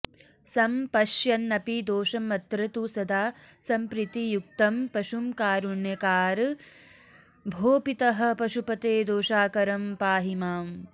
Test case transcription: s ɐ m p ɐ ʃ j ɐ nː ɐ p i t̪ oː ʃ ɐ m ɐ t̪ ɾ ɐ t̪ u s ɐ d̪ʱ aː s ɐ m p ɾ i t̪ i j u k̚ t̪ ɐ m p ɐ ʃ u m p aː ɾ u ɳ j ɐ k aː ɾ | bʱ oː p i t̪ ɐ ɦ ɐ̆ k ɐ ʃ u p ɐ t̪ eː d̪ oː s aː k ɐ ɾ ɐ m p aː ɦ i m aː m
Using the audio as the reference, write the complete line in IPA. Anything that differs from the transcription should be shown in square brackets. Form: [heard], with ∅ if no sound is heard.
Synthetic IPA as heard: s ɐ m p ɐ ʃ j ɐ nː ɐ p i [d̪] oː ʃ ɐ m ɐ t̪ ɾ ɐ t̪ u s ɐ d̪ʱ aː s ɐ m p ɾ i t̪ i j u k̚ t̪ ɐ m p ɐ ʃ u m [k] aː ɾ u ɳ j ɐ k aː ɾ | bʱ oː p i t̪ ɐ ɦ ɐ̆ [p] ɐ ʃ u p ɐ t̪ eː d̪ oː [ʃ] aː k ɐ ɾ ɐ m p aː ɦ i m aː m